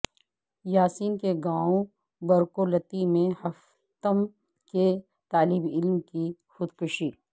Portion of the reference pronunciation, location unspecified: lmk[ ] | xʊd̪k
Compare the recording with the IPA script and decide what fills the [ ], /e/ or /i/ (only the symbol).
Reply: i